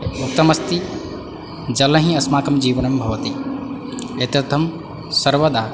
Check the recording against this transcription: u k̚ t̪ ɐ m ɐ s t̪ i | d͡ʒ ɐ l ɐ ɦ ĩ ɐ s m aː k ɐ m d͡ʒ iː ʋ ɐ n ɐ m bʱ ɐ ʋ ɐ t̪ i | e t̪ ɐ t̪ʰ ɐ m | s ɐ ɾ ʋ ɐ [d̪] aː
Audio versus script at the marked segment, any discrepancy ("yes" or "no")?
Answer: no